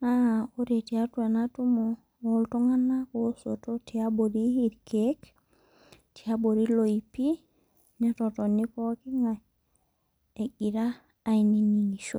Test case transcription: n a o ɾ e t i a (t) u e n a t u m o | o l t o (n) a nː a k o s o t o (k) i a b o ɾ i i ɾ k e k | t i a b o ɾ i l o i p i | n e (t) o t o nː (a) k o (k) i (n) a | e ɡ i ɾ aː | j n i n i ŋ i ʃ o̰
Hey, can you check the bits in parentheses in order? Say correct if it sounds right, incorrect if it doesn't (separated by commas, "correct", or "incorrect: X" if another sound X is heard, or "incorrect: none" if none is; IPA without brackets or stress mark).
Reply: correct, incorrect: ŋ, incorrect: t, correct, incorrect: i, correct, incorrect: ŋ